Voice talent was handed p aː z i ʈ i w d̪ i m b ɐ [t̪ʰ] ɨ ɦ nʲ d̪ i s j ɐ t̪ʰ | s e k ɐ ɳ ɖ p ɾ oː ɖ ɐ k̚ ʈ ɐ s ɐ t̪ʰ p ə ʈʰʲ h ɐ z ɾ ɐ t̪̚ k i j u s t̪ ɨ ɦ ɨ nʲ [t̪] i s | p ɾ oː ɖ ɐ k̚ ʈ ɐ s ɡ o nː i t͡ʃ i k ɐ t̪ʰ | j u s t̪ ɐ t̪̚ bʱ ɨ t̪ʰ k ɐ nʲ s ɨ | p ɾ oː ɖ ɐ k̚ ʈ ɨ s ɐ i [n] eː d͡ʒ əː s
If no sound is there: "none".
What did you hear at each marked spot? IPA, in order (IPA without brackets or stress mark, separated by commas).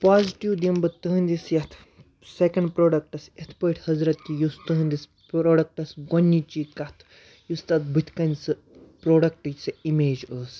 t̪, d̪, m